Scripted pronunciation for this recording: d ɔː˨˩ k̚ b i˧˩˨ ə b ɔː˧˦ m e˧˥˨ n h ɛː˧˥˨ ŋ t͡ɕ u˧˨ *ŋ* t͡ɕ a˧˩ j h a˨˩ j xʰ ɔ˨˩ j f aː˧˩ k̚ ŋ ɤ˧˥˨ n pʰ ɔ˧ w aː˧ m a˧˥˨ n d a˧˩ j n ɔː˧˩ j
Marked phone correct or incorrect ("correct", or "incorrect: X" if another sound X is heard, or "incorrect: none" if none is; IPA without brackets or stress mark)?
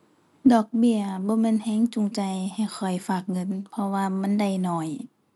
correct